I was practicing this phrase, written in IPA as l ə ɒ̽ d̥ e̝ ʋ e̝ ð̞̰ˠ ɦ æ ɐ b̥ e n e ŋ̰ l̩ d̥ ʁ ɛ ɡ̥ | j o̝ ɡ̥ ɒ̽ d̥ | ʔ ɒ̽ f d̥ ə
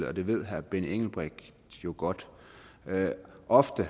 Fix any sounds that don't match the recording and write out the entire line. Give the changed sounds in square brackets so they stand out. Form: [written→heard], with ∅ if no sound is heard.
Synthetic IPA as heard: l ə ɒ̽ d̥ e̝ ʋ e̝ ð̞̰ˠ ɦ æ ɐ b̥ e n e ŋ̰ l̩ [d̥→b̥] ʁ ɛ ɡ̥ | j o̝ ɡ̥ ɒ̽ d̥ | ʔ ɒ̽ f d̥ ə

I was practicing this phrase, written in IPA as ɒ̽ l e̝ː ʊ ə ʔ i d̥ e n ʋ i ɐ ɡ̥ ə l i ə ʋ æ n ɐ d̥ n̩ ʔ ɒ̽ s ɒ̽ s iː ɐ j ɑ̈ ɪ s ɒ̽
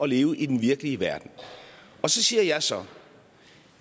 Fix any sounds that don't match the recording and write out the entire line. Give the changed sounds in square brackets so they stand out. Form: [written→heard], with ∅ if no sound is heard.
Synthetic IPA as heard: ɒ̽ l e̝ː ʊ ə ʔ i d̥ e n ʋ i ɐ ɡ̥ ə l i ə ʋ æ [n→∅] ɐ d̥ n̩ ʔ ɒ̽ s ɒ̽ s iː ɐ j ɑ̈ ɪ s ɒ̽

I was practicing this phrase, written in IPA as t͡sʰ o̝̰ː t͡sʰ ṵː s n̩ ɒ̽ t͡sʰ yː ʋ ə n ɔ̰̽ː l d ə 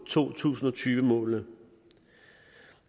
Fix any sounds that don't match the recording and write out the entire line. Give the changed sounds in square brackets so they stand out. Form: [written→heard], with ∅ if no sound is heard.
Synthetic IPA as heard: t͡sʰ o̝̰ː t͡sʰ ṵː s n̩ ɒ̽ t͡sʰ yː ʋ ə [n→m] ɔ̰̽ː l [d→n] ə

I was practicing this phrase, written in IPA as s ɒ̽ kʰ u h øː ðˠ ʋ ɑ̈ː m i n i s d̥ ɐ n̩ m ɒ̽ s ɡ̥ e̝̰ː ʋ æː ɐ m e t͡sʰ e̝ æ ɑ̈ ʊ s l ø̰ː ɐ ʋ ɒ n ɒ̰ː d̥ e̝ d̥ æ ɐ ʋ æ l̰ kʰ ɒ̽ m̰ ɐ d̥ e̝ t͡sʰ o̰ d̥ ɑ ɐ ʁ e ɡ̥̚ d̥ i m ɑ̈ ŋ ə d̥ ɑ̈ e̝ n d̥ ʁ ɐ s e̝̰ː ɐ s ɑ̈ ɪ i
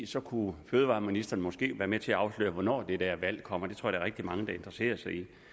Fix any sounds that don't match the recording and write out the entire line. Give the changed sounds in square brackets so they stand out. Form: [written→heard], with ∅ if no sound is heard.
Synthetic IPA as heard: s ɒ̽ kʰ u [h→f] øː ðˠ ʋ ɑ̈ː m i n i s d̥ ɐ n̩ m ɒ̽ s ɡ̥ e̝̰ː ʋ æː ɐ m e t͡sʰ e̝ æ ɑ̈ ʊ s l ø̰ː ɐ ʋ ɒ n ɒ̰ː d̥ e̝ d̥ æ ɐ ʋ æ l̰ kʰ ɒ̽ m̰ ɐ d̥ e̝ t͡sʰ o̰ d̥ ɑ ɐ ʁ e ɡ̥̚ d̥ i m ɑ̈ ŋ ə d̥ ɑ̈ e̝ n d̥ ʁ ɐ s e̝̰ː ɐ s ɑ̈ ɪ i

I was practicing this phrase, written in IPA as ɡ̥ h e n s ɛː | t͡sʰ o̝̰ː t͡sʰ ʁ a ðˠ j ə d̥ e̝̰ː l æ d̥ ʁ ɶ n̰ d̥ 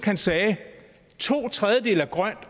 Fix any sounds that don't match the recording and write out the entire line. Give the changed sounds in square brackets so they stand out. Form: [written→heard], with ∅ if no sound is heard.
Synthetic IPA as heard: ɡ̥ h [e→æ] n s ɛː | t͡sʰ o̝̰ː t͡sʰ ʁ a ðˠ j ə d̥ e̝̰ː l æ [d̥→ɡ̥] ʁ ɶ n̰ d̥

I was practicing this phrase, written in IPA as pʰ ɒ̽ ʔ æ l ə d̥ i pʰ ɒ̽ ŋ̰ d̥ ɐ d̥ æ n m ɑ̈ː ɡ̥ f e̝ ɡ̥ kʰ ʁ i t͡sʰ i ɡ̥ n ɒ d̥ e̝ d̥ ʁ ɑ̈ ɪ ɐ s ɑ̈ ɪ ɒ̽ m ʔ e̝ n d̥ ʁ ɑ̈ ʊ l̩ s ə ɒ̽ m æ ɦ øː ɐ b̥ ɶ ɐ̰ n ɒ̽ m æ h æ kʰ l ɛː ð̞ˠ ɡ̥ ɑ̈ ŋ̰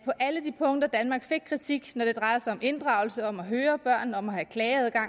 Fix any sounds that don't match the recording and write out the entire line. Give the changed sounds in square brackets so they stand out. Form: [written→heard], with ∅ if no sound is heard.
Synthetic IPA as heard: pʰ ɒ̽ ʔ æ l ə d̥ i pʰ [ɒ̽→ɔ̽] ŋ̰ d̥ ɐ d̥ æ n m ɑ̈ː ɡ̥ f e̝ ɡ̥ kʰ ʁ i t͡sʰ i ɡ̥ n ɒ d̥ e̝ d̥ ʁ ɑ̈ ɪ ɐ s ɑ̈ ɪ ɒ̽ m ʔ e̝ n d̥ ʁ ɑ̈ ʊ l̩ s ə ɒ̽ m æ ɦ øː ɐ b̥ ɶ ɐ̰ n ɒ̽ m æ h æ kʰ l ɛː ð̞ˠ ɡ̥ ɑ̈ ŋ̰

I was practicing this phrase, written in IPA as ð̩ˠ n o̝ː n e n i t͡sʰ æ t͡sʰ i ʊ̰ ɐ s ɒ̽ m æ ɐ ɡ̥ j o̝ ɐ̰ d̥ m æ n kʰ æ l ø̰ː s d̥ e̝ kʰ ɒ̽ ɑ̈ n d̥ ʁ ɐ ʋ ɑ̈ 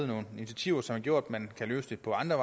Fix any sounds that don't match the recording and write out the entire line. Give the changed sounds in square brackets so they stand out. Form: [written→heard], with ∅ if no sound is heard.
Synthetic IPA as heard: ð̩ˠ n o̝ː n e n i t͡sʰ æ t͡sʰ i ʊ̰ ɐ s ɒ̽ m æ ɐ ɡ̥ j o̝ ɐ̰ d̥ m æ n kʰ æ l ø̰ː s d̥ e̝ [kʰ→pʰ] ɒ̽ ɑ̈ n d̥ ʁ ɐ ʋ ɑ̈

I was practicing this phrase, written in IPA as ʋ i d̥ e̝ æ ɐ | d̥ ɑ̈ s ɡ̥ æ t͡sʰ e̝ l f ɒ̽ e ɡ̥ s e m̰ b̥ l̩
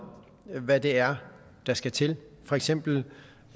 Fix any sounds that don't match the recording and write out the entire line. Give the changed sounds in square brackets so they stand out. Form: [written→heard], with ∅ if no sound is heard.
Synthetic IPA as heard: ʋ [i→æ] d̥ e̝ æ ɐ | d̥ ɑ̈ s ɡ̥ æ t͡sʰ e̝ l f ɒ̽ e ɡ̥ s e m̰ b̥ l̩

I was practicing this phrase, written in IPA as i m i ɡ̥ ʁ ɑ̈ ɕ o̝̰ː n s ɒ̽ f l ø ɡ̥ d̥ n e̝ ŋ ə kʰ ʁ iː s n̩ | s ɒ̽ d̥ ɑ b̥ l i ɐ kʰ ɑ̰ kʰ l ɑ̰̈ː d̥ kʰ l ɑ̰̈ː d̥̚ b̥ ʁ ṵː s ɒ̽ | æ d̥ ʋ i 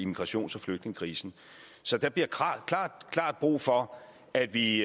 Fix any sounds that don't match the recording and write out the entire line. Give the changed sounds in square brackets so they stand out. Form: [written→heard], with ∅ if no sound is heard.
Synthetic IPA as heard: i m i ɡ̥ ʁ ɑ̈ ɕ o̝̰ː n s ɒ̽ f l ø ɡ̥ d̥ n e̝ ŋ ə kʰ ʁ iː s n̩ | s ɒ̽ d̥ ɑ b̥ l i ɐ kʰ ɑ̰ kʰ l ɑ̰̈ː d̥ kʰ l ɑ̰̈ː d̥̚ b̥ ʁ ṵː [s→f] ɒ̽ | æ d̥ ʋ i

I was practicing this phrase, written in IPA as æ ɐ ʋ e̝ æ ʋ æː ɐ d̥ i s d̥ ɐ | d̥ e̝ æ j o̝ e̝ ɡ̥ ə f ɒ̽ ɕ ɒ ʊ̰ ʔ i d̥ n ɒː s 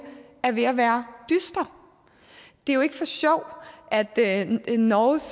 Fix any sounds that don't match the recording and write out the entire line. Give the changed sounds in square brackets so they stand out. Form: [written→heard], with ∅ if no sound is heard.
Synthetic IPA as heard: æ ɐ ʋ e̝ æ ʋ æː ɐ d̥ [i→y] s d̥ ɐ | d̥ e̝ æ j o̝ e̝ ɡ̥ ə f ɒ̽ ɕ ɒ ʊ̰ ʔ [i→æ] d̥ n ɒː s

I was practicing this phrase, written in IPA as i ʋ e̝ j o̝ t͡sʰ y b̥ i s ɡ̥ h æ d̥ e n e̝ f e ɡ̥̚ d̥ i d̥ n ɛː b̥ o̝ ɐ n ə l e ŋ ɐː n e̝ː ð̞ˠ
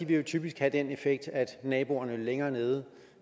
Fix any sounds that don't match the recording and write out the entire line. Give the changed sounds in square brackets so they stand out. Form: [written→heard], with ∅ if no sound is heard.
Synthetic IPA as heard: i ʋ e̝ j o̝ t͡sʰ y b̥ i s ɡ̥ h æ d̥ e n e̝ f e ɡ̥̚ d̥ [i→æ] d̥ n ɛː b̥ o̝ ɐ n ə l e ŋ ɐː n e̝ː ð̞ˠ

